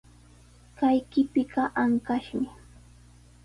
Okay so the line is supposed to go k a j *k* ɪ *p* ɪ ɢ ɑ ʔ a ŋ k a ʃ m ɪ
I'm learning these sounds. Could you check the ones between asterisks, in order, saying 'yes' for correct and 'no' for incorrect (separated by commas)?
yes, yes